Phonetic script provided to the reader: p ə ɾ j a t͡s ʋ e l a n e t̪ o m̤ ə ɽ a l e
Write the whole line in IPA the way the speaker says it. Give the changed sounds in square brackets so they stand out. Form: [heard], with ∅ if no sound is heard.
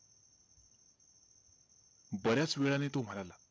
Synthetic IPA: [b] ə ɾ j a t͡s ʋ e [ɭ] a n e t̪ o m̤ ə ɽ a l [a]